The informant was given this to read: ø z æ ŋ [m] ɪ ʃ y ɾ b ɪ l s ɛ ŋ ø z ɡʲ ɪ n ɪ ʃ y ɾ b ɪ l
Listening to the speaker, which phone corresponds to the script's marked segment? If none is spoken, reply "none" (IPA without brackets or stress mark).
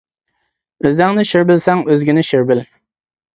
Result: n